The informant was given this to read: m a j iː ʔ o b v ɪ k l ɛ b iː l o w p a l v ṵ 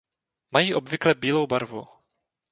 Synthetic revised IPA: m a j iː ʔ o b v ɪ k l ɛ b iː l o w b a ɾ v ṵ